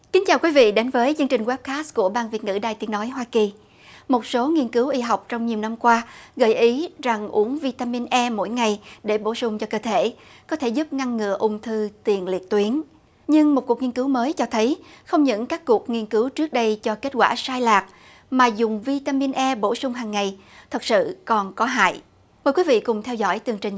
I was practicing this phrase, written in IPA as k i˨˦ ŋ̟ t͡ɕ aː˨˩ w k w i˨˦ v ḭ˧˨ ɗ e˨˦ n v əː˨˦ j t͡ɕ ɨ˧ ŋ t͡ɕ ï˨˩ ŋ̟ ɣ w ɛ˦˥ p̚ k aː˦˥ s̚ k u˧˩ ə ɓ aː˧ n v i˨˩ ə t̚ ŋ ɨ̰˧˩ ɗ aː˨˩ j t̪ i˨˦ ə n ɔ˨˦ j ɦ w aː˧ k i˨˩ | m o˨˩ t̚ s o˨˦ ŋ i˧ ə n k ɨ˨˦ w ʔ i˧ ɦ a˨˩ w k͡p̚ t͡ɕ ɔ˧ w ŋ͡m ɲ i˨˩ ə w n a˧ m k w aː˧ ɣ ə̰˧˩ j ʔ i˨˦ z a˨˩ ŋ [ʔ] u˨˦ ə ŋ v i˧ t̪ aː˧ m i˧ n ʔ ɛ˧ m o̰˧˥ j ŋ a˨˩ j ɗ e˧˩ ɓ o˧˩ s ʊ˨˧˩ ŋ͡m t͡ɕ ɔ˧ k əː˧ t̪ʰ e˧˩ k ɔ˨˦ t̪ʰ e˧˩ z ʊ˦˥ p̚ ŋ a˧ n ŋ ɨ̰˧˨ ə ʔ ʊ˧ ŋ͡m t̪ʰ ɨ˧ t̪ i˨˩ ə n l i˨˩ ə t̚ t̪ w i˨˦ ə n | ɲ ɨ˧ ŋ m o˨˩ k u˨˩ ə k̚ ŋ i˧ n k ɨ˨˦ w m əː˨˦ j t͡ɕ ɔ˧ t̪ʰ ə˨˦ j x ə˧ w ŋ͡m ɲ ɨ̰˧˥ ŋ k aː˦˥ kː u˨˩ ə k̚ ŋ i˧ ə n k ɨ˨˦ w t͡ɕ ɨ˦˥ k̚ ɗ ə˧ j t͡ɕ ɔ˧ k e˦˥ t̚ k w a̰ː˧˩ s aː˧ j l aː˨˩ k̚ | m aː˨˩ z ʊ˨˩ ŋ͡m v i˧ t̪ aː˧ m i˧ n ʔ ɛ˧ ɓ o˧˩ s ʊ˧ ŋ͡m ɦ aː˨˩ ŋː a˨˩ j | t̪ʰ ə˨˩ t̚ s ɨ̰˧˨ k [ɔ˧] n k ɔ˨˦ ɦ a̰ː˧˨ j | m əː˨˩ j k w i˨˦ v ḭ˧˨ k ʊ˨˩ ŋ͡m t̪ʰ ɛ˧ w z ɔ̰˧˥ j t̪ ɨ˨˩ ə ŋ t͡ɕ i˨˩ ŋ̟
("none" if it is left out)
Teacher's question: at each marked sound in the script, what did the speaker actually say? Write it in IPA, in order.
ʔ, ɔ˨˩

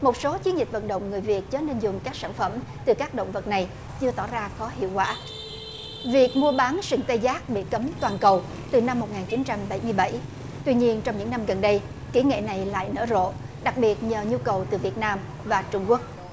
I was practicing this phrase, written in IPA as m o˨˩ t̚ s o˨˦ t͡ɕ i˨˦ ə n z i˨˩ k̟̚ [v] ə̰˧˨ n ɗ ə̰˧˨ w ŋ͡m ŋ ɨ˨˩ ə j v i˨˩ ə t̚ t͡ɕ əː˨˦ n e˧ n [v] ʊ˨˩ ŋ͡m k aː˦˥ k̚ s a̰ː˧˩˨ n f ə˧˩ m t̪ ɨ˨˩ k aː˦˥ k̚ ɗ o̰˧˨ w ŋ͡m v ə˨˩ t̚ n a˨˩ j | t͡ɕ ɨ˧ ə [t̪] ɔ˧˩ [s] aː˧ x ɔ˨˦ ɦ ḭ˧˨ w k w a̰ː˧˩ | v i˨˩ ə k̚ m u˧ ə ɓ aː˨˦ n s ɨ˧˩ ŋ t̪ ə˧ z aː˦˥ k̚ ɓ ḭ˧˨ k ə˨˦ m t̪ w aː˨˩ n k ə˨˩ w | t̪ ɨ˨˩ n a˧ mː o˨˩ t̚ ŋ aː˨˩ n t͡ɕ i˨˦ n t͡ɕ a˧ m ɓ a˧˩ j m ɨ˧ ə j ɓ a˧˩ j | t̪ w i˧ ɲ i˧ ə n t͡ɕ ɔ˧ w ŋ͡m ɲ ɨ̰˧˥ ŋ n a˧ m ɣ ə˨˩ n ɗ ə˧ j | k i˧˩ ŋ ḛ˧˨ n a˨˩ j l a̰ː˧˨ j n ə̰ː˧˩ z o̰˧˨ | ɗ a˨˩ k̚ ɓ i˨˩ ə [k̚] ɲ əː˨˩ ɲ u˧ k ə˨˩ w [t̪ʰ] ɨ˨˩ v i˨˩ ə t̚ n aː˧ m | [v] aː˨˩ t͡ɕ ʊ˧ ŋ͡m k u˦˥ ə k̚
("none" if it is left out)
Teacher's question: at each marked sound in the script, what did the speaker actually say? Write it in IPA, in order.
v, z, t̪, z, t̚, t̪, v

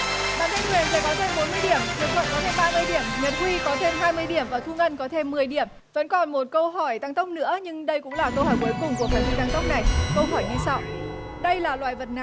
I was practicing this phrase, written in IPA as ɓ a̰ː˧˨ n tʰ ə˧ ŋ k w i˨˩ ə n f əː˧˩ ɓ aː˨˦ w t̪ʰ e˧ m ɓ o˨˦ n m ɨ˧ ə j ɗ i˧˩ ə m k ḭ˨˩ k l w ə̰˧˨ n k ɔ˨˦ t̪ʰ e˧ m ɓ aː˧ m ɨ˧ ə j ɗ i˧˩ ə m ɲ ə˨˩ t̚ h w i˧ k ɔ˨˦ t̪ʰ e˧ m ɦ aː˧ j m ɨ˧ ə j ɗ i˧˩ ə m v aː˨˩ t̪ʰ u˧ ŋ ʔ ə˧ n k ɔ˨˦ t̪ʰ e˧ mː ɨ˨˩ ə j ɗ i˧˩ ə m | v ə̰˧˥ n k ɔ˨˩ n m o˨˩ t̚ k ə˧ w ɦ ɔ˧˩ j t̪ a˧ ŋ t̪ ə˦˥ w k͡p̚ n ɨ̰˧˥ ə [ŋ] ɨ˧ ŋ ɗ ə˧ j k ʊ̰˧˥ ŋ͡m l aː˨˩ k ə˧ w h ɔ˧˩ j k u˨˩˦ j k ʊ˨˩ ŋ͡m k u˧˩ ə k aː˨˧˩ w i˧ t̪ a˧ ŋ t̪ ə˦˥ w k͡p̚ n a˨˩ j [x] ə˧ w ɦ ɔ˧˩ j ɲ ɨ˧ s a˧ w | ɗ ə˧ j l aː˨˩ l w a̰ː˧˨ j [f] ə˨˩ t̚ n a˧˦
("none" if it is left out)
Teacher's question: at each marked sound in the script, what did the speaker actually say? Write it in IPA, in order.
ɲ, k, v

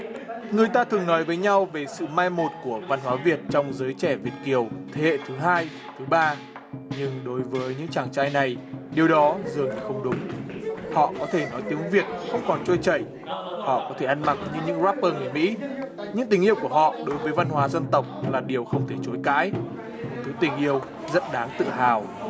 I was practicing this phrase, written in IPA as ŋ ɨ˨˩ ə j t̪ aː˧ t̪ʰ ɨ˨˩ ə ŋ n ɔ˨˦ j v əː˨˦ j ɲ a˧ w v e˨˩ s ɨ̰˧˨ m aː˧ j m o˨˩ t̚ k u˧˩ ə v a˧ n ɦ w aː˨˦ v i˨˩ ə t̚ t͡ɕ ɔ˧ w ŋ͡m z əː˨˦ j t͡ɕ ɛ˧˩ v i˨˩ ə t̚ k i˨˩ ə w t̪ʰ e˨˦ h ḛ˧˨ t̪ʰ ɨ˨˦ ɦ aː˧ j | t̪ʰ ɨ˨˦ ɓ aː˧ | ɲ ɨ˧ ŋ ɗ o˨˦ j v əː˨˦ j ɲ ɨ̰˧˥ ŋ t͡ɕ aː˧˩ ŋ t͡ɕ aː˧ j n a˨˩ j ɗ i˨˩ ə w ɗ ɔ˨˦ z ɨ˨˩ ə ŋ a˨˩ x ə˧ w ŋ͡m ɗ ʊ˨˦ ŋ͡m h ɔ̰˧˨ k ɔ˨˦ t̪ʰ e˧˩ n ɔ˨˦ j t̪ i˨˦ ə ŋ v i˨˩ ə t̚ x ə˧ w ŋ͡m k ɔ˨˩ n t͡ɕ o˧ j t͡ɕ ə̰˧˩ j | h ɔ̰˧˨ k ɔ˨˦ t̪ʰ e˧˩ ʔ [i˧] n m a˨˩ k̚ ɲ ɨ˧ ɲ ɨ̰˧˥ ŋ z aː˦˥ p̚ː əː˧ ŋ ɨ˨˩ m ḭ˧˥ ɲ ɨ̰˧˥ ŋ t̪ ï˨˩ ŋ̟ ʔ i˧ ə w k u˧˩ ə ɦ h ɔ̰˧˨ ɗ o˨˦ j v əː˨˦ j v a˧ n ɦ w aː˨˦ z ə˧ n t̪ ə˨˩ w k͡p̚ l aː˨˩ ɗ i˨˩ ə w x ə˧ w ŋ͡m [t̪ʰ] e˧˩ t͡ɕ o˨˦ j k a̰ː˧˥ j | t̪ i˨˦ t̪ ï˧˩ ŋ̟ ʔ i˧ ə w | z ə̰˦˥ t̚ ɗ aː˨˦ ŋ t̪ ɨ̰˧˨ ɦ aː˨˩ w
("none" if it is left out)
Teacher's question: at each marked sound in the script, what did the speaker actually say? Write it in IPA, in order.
a˧, t̪ʰ

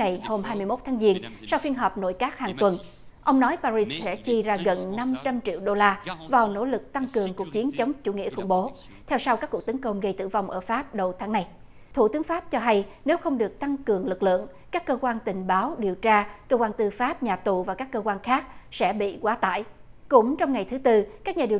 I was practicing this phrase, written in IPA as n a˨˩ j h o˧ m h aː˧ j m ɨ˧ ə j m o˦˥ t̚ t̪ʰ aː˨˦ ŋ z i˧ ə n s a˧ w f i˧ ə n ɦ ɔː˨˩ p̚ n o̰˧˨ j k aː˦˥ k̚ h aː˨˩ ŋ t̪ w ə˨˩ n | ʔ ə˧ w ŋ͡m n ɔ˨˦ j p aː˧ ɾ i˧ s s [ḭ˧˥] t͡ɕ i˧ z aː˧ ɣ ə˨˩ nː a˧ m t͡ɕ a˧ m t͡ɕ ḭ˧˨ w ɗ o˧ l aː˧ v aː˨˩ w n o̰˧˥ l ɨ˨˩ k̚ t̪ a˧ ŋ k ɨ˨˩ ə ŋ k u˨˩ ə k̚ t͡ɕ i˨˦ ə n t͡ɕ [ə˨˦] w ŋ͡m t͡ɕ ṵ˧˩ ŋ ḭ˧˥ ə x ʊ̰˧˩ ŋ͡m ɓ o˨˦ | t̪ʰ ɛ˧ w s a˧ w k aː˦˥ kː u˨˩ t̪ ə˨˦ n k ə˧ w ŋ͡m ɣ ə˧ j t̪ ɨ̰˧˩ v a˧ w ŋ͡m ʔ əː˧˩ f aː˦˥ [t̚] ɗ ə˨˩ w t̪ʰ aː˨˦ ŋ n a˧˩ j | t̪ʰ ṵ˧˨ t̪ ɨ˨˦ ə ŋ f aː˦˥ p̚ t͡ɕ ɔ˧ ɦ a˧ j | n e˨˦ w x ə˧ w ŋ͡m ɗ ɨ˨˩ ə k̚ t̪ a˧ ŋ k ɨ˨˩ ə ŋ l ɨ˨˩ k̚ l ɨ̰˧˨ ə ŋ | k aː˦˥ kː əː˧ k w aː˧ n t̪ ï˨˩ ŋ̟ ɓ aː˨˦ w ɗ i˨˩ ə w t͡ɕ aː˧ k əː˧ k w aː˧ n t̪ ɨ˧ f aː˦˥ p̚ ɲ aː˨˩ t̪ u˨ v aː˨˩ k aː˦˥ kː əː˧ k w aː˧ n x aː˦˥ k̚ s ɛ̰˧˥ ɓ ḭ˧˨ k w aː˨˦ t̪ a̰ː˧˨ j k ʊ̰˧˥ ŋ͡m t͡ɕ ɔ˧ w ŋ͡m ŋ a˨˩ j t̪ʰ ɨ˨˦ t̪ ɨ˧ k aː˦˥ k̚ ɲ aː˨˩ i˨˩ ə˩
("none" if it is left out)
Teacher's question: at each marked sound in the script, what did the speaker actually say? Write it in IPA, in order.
ɛ̰˧˥, ə˨˦, p̚

